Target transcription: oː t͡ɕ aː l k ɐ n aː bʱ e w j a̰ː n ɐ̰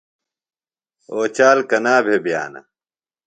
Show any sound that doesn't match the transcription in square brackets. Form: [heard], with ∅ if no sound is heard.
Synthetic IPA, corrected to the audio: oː t͡ɕ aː l k ɐ n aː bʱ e [b] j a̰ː n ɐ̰